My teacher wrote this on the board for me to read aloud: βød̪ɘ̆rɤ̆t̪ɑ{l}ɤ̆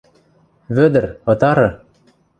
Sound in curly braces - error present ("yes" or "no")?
yes